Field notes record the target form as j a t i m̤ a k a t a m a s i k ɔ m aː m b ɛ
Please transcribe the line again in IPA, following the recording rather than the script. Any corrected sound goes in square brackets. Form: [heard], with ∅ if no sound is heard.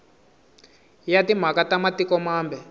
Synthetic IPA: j a t i m̤ a k a t a m a [t] i k ɔ m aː m b ɛ